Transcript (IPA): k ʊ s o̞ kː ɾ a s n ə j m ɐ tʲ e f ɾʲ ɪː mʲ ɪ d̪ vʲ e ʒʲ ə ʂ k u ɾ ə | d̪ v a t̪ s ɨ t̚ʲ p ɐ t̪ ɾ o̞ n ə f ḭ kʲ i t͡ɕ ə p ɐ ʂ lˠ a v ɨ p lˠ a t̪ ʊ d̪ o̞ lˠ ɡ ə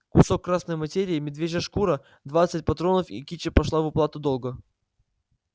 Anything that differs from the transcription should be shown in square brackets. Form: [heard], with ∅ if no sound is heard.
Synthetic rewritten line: k ʊ s o̞ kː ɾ a s n ə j m ɐ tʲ e [∅] ɾʲ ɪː mʲ ɪ d̪ vʲ e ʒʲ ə ʂ k u ɾ ə | d̪ v a t̪ s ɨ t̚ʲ p ɐ t̪ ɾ o̞ n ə f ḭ kʲ i t͡ɕ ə p ɐ ʂ lˠ a v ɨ p lˠ a t̪ ʊ d̪ o̞ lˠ ɡ ə